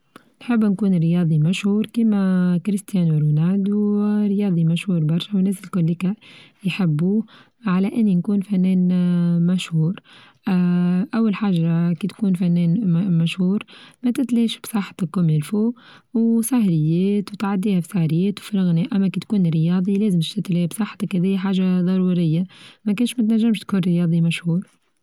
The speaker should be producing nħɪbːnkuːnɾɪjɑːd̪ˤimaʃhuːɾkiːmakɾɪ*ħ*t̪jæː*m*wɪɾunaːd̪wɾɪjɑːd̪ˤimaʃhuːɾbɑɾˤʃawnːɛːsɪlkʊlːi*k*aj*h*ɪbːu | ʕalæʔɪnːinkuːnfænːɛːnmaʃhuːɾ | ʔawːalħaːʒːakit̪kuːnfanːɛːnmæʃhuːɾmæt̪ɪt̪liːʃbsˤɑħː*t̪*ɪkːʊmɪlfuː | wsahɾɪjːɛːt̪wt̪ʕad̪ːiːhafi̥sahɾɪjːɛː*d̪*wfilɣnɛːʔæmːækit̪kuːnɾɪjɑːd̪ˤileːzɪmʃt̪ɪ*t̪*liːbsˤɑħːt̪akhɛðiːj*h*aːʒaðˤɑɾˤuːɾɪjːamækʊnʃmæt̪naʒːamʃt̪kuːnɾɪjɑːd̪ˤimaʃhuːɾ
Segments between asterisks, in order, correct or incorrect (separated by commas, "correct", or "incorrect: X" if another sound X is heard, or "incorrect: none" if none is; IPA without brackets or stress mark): incorrect: s, incorrect: n, correct, incorrect: ħ, correct, incorrect: t̪, correct, incorrect: ħ